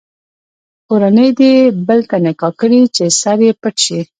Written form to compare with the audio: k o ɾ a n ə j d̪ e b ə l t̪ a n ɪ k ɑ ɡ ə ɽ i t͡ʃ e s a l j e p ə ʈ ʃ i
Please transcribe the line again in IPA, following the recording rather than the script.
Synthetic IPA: k o ɾ a n ə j d̪ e b ə l t̪ a n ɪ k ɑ k ə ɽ i t͡ʃ e s a ɾ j e p ə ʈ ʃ i